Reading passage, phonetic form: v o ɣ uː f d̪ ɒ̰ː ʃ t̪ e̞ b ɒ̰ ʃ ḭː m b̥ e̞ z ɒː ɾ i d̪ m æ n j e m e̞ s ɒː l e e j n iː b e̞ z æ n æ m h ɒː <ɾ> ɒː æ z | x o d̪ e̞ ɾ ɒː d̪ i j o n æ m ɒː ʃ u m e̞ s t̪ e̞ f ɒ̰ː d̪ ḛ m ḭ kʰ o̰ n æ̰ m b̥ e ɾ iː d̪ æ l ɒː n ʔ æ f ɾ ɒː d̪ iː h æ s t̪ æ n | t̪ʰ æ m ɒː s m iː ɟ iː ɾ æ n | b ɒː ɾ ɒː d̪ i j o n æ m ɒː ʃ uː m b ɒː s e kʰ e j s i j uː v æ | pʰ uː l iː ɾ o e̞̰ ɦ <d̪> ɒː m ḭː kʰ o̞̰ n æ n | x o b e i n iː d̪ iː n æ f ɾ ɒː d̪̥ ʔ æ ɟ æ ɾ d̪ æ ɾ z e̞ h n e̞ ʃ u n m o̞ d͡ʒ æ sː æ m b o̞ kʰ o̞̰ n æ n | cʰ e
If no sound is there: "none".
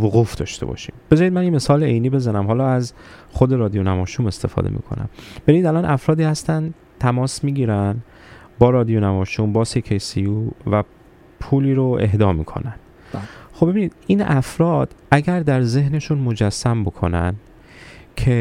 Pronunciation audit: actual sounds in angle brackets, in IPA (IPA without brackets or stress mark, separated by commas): l, d̪